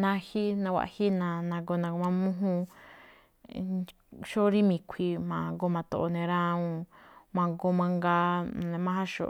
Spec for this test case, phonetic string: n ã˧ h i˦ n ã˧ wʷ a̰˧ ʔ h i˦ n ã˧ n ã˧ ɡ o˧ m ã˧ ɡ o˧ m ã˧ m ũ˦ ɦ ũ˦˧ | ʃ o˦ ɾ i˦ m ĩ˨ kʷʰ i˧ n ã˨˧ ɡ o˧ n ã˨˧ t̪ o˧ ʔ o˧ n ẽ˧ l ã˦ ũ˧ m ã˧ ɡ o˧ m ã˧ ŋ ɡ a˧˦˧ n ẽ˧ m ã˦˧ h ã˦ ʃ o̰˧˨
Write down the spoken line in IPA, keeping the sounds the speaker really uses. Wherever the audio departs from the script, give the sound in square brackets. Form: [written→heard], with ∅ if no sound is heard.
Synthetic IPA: n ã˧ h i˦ n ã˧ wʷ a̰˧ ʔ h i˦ n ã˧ n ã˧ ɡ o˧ [m→n] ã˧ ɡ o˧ m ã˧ m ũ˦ ɦ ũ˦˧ | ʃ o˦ ɾ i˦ m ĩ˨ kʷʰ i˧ [n→m] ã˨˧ ɡ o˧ [n→m] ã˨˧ t̪ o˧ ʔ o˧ n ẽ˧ [l→ɾ] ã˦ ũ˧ m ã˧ ɡ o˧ m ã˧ ŋ ɡ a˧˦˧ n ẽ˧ m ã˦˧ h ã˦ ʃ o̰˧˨

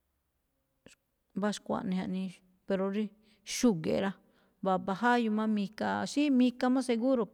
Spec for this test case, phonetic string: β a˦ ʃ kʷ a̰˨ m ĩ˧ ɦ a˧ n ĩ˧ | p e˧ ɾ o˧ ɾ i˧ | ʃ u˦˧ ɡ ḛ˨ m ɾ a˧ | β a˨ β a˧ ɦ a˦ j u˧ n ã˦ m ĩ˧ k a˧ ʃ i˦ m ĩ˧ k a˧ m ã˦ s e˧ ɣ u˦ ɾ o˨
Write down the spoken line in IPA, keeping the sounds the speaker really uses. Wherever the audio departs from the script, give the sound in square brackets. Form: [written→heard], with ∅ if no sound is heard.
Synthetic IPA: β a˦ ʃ kʷ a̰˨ [m→n] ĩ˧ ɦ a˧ n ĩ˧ | p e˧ ɾ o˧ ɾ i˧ | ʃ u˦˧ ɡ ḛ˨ [m→∅] ɾ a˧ | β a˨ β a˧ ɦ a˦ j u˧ [n→m] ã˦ m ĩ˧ k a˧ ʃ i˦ m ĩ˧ k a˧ m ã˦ s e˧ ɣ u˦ ɾ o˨

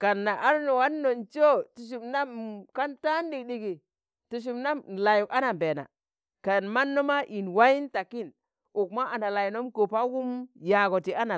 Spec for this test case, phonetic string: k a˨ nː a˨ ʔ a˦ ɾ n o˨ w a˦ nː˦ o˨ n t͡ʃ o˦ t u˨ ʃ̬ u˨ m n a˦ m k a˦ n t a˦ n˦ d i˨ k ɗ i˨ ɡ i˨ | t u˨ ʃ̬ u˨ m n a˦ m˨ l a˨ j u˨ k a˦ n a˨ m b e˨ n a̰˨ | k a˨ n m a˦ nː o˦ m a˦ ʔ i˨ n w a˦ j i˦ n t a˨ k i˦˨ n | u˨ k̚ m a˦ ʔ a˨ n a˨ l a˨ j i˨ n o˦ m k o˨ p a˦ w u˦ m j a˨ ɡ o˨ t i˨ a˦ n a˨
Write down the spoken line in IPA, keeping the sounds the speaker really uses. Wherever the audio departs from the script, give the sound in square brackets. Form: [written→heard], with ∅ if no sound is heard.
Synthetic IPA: k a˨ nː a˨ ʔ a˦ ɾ n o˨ w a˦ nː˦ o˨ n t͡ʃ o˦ t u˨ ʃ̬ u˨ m n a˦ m k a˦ n t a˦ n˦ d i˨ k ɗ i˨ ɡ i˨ | t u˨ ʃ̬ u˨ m n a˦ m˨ l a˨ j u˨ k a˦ n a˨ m b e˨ n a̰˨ | k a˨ n m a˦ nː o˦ m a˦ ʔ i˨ n w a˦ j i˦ n t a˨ k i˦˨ n | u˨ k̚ m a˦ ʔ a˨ n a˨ l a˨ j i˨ n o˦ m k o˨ p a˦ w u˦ m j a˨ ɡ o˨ t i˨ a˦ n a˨

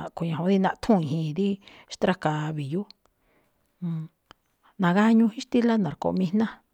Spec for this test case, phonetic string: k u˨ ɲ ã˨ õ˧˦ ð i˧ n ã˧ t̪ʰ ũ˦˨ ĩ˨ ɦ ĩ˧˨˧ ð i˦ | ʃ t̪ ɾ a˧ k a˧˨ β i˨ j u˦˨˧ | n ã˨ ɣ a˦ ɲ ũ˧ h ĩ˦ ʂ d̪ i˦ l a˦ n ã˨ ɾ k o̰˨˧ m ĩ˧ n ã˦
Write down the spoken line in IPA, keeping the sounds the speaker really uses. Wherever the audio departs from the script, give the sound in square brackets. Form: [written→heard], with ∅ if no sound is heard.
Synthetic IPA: k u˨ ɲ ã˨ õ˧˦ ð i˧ n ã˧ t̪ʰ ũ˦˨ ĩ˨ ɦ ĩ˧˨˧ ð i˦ | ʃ t̪ ɾ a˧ k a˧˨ β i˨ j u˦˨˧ | n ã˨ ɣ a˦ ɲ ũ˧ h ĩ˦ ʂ [d̪→t̪] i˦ l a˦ n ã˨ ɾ k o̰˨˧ m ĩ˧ n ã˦

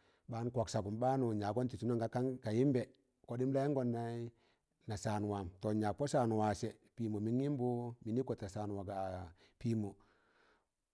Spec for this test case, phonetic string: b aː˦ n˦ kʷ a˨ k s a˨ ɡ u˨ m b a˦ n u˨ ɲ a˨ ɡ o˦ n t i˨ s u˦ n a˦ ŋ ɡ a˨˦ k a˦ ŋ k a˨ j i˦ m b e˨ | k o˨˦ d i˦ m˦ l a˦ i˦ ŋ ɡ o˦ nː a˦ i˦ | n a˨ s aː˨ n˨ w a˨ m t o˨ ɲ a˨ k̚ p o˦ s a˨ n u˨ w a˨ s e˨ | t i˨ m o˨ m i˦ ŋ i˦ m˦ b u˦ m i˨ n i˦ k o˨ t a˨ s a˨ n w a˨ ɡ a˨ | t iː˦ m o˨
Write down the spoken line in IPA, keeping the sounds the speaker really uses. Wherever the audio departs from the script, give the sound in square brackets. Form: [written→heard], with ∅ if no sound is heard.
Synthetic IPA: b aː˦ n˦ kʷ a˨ k s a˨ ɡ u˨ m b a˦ n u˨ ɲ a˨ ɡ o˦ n t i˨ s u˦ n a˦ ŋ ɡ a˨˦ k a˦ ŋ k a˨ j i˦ m b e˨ | k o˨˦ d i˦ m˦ l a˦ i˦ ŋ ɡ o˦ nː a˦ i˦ | n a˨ s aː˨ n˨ w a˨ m t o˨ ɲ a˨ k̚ p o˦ s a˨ n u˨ w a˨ s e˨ | [t→p] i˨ m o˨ m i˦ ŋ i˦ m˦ b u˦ m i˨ n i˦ k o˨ t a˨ s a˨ n w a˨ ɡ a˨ | [t→p] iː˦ m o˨

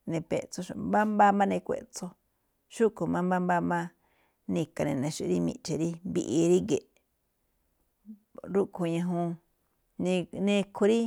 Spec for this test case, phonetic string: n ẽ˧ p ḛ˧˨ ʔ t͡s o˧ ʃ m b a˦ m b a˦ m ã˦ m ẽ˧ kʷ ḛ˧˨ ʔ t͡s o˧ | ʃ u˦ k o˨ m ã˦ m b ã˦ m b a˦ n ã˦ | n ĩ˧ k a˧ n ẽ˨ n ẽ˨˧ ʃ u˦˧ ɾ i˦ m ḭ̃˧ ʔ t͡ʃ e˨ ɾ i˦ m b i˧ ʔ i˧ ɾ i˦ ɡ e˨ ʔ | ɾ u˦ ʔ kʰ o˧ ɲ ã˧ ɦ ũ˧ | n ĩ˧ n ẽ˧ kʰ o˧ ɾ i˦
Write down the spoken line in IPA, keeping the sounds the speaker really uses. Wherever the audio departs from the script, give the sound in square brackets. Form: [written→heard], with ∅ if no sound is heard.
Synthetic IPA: n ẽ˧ p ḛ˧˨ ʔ t͡s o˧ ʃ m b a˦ m b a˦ m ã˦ [m→n] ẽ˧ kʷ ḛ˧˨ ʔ t͡s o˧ | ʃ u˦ k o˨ m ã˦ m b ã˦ m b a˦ [n→m] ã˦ | n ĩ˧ k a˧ n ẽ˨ n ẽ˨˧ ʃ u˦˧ ɾ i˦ m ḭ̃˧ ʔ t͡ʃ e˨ ɾ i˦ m b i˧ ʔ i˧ ɾ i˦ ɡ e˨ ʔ | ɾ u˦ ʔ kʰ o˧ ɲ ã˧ ɦ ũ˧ | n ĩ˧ n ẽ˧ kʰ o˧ ɾ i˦

